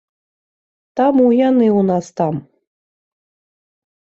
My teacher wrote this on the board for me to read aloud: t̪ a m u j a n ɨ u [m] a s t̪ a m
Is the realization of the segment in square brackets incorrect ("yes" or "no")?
yes